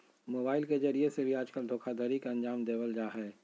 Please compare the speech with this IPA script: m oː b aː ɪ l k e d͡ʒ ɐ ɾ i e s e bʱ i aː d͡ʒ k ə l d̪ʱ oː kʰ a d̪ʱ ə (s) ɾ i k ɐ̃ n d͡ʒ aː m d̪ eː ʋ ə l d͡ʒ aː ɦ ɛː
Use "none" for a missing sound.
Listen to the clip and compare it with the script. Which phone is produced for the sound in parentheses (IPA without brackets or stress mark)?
none